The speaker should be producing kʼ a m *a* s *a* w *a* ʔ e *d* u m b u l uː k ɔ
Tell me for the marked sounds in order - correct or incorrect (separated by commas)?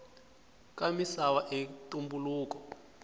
incorrect, correct, correct, incorrect